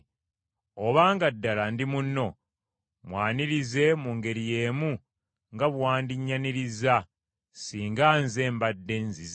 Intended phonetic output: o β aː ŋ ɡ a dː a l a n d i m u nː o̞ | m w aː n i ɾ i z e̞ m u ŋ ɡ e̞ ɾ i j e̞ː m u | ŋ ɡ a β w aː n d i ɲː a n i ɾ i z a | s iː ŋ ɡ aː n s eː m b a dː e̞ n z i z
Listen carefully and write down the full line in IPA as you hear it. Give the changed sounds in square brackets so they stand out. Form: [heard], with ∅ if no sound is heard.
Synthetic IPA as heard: o β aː ŋ ɡ a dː a l a n d i m u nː o̞ | m w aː n i ɾ i z e̞ m u ŋ ɡ e̞ ɾ i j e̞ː m u | ŋ ɡ a β w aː n d i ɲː a n i ɾ i z a | s iː ŋ ɡ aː n [z] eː m b a dː e̞ n z i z